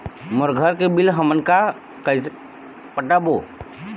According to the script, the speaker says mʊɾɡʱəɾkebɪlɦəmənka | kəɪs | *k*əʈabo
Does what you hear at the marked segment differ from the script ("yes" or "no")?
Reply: yes